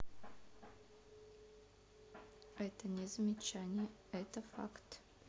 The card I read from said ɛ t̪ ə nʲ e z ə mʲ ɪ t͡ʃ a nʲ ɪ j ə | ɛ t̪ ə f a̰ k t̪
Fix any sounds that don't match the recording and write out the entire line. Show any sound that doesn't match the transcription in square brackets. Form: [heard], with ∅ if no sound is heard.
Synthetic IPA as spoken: ɛ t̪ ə nʲ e z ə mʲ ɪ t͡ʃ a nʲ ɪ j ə | ɛ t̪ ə f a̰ k t̪